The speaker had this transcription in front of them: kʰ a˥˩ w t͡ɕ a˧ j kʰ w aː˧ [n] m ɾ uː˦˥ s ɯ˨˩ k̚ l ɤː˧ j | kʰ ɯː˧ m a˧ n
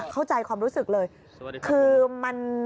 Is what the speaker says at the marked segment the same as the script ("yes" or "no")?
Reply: no